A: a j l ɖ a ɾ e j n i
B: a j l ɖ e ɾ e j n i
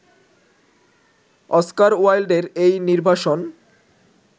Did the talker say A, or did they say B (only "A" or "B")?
B